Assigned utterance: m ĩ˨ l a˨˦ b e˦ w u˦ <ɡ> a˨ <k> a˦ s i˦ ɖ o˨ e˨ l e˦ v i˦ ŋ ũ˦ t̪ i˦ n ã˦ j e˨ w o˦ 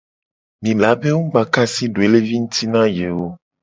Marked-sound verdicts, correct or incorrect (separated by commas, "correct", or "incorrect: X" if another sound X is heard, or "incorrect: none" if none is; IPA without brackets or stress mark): incorrect: ɡ͡b, correct